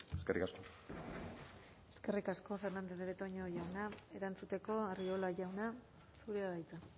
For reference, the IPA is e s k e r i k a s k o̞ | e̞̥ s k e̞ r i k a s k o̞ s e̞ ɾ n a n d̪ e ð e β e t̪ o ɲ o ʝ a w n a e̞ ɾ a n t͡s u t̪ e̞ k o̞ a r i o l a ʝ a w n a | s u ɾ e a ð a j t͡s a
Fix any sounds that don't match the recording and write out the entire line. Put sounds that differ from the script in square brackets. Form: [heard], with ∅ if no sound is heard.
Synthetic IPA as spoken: e s k e r i k a s k o̞ | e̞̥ s k e̞ r i k a s k o̞ [f] e̞ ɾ n a n d̪ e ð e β e t̪ o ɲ o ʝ a w n a e̞ ɾ a n t͡s u t̪ e̞ k o̞ a r i o l a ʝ a w n a | s u ɾ e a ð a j t͡s a